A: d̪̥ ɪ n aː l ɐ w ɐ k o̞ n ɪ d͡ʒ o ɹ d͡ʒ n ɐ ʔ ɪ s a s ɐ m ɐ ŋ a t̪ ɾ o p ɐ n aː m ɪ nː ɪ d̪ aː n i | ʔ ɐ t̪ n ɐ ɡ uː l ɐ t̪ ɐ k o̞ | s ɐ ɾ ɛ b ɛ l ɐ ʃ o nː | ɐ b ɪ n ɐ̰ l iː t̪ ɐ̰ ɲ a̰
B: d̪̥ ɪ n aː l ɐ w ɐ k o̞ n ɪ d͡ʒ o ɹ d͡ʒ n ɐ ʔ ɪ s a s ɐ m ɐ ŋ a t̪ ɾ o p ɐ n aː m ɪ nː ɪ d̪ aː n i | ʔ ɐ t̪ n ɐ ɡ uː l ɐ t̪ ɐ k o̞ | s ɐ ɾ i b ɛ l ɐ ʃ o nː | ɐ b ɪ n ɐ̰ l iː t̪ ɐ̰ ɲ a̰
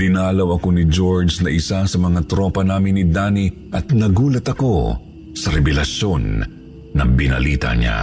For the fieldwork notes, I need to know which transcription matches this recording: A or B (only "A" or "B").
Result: A